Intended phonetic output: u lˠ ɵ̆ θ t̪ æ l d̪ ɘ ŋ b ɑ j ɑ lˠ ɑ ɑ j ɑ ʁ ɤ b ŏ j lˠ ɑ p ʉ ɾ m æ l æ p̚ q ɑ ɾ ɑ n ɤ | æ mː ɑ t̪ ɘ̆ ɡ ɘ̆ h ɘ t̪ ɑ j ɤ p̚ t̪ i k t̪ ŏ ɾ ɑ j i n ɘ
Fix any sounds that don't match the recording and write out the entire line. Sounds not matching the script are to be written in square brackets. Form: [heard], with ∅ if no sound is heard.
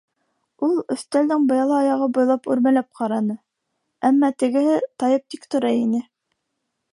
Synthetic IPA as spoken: u lˠ ɵ̆ θ t̪ æ l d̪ ɘ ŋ b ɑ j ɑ lˠ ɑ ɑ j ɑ ʁ ɤ b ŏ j lˠ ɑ p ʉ ɾ m æ l æ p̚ q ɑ ɾ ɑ n ɤ | æ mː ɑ t̪ ɘ̆ ɡ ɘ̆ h ɘ t̪ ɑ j ɤ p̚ t̪ i k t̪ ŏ ɾ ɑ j i n ɘ